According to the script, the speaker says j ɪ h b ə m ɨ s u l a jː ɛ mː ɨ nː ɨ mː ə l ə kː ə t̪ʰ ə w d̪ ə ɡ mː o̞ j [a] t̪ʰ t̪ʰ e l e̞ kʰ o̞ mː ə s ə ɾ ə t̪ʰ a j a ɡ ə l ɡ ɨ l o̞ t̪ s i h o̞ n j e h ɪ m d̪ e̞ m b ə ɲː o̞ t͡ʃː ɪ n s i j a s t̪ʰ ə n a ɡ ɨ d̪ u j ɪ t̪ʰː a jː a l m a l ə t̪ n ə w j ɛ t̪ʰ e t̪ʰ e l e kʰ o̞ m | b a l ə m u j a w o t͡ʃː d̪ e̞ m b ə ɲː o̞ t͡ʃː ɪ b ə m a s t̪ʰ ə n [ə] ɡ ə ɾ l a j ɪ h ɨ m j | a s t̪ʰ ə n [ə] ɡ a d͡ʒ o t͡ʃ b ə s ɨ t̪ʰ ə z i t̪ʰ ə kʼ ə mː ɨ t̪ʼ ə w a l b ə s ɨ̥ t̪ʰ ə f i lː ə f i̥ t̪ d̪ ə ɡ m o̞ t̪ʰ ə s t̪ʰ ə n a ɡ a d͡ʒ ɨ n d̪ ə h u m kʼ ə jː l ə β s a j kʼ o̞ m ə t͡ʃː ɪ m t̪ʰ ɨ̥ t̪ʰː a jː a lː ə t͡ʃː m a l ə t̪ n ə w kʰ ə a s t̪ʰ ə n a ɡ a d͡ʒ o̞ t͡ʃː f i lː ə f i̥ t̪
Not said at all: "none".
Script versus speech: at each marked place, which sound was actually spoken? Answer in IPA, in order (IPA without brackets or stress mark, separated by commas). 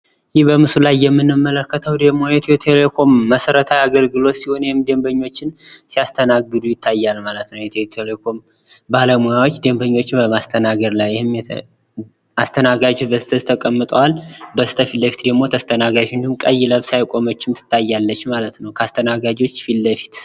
ɛ, a, a